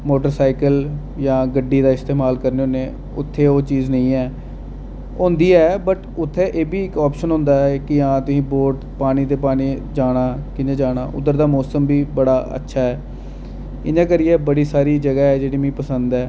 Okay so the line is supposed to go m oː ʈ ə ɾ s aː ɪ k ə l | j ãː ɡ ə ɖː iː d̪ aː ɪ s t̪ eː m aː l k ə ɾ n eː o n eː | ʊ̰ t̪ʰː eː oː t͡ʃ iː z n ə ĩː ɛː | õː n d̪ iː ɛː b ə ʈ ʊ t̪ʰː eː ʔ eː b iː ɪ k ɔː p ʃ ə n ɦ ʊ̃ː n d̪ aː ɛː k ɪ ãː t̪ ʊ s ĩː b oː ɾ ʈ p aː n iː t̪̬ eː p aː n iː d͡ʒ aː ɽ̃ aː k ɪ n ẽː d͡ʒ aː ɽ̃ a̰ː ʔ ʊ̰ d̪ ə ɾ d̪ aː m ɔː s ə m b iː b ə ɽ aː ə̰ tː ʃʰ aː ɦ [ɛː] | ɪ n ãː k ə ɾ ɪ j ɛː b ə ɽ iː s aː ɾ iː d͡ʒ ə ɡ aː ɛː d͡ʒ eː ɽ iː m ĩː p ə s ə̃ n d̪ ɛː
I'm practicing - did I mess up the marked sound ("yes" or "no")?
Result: no